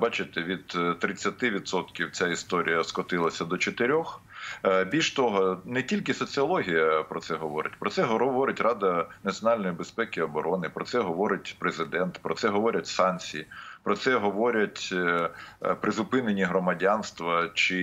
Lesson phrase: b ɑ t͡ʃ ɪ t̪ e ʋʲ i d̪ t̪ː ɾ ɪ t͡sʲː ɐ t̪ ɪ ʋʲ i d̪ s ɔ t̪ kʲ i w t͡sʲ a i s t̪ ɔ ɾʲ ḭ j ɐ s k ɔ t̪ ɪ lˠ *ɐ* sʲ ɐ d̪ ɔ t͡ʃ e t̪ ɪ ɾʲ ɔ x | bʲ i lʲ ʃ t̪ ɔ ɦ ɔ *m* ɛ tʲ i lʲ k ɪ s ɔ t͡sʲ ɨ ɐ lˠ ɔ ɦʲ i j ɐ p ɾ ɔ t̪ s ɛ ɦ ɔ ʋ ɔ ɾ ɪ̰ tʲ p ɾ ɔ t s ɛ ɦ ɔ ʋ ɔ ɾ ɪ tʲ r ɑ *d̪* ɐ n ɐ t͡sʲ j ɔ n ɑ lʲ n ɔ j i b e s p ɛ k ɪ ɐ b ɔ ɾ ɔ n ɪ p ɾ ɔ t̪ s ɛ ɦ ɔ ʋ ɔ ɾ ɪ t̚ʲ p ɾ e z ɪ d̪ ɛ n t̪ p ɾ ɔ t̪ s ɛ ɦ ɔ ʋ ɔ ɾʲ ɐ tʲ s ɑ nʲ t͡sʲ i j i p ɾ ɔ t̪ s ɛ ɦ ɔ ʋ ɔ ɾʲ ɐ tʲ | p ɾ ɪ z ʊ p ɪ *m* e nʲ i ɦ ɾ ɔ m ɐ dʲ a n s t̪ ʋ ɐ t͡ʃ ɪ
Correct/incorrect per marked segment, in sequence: correct, incorrect: n, correct, incorrect: n

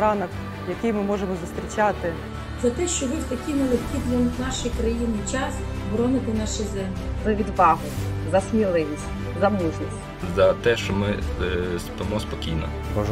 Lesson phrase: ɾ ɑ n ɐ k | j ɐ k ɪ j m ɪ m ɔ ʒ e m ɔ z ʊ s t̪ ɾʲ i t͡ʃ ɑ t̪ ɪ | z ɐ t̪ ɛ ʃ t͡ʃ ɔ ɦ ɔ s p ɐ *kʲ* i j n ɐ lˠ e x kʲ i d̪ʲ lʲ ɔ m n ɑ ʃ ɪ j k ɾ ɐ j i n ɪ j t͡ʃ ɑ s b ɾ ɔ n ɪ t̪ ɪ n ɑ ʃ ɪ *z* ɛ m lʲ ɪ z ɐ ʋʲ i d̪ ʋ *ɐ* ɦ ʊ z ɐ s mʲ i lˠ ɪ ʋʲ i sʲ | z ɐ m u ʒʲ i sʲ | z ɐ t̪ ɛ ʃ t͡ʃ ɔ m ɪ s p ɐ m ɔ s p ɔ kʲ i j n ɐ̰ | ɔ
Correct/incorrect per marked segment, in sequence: correct, correct, incorrect: ɑ

